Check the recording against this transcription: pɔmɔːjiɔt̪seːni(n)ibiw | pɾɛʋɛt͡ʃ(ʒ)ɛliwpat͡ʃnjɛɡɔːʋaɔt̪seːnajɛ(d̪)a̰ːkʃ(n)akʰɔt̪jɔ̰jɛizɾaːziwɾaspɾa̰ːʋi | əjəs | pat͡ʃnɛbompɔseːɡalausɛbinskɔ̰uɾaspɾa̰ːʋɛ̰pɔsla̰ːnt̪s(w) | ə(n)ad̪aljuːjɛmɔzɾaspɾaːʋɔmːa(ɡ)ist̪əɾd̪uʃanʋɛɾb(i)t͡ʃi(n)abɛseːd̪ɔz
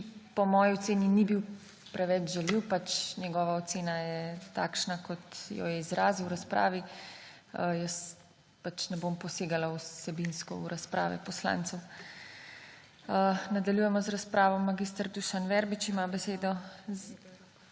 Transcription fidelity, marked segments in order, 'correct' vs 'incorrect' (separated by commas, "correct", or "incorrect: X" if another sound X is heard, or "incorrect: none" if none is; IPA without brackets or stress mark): correct, correct, incorrect: t̪, correct, correct, correct, correct, correct, incorrect: m